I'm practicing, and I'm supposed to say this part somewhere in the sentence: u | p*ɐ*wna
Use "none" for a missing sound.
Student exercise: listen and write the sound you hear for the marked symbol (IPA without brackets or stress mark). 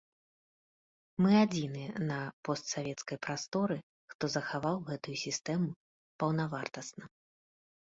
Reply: ɐ